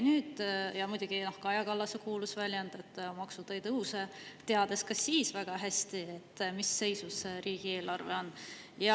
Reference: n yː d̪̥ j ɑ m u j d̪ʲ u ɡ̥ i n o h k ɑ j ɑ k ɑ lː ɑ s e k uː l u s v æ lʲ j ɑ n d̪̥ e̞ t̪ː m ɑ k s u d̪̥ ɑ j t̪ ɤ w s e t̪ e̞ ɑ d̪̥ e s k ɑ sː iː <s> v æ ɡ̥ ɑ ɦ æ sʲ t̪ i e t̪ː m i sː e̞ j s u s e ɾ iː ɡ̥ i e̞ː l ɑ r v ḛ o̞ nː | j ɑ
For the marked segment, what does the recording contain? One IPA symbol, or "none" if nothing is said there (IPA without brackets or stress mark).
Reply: s